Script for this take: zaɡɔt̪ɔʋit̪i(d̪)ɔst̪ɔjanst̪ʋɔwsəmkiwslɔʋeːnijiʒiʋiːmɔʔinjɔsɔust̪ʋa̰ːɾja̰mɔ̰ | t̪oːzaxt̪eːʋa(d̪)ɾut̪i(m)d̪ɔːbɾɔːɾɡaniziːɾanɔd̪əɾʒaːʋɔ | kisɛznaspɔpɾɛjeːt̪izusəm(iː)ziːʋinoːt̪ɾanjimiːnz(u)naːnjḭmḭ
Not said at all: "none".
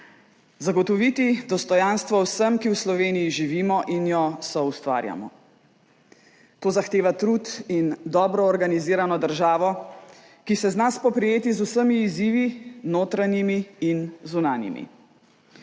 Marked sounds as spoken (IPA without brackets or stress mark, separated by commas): d̪, t̪, n, iː, u